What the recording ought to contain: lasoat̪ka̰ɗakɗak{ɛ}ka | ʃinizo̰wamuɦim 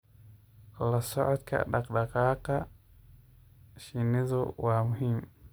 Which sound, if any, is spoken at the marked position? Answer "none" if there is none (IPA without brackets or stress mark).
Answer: a